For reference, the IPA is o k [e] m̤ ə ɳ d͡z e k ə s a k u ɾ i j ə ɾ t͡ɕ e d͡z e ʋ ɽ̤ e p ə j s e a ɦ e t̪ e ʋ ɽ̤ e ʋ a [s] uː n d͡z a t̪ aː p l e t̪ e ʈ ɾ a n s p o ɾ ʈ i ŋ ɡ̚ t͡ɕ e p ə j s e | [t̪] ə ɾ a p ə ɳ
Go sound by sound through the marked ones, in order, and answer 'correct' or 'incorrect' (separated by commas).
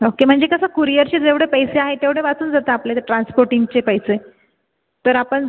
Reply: correct, incorrect, correct